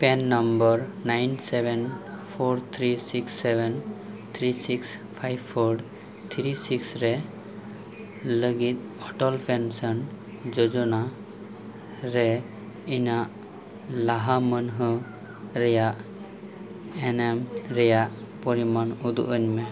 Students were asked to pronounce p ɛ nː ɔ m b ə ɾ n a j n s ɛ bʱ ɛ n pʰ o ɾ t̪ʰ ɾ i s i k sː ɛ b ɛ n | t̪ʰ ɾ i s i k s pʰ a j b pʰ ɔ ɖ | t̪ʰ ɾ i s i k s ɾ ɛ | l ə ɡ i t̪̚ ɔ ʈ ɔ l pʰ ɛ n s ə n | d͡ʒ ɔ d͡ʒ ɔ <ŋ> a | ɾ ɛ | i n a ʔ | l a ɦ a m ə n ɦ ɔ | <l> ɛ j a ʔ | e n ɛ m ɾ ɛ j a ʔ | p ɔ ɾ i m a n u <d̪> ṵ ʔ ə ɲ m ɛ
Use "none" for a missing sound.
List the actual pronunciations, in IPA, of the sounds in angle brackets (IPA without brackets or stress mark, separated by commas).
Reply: n, ɾ, d̪